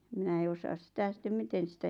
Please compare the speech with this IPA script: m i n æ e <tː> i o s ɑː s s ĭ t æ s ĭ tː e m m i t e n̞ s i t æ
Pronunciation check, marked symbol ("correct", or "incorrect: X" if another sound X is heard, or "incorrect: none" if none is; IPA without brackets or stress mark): incorrect: none